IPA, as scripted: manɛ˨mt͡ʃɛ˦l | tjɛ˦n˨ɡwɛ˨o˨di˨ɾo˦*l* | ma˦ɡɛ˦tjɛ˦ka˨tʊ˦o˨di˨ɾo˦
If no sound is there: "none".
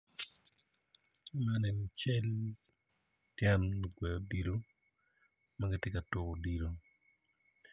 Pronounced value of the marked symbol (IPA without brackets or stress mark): none